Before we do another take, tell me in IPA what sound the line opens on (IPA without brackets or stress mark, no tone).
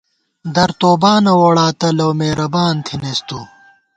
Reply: d̪